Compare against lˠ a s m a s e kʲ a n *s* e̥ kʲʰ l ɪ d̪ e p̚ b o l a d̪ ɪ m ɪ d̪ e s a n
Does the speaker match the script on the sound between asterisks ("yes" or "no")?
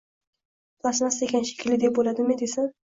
no